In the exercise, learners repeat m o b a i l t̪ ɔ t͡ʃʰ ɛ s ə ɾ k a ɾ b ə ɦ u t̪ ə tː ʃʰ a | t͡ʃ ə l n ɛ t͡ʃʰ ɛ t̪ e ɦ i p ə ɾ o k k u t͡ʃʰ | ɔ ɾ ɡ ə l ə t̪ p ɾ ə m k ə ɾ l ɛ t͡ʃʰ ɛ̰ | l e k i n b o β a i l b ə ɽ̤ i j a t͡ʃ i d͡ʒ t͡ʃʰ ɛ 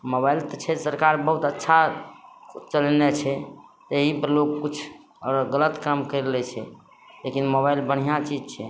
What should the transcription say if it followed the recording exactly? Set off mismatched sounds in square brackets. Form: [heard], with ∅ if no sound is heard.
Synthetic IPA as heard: m o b a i l t̪ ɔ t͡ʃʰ ɛ s ə ɾ k a ɾ b ə ɦ u t̪ ə tː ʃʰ a | t͡ʃ ə l n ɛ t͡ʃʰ ɛ t̪ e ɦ i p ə [l] o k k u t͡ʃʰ | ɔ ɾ ɡ ə l ə t̪ [k] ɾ ə m k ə ɾ l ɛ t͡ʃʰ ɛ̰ | l e k i n [m] o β a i l b ə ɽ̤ i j a t͡ʃ i d͡ʒ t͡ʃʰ ɛ